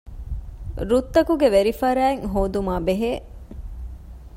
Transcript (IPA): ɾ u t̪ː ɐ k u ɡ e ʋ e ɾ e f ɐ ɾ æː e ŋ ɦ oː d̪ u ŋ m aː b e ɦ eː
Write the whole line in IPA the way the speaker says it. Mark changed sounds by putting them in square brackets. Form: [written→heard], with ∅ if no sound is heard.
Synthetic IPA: ɾ u t̪ː ɐ k u ɡ e ʋ e ɾ [e→i] f ɐ ɾ æː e ŋ ɦ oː d̪ u [ŋ→∅] m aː b e ɦ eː